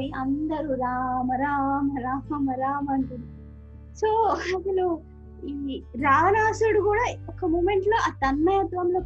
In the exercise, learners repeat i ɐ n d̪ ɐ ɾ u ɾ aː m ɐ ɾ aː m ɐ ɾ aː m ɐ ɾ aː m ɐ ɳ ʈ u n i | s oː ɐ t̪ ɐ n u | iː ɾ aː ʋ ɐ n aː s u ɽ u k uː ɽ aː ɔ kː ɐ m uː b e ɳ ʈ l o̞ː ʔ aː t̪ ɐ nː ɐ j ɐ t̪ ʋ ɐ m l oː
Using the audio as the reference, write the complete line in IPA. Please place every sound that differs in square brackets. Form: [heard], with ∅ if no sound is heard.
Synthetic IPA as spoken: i ɐ n d̪ ɐ ɾ u ɾ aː m ɐ ɾ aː m ɐ ɾ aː m ɐ ɾ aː m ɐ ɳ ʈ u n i | s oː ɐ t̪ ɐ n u | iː ɾ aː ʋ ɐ n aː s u ɽ u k uː ɽ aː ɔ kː ɐ m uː [m] e ɳ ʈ l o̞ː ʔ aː t̪ ɐ nː ɐ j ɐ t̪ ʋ ɐ m l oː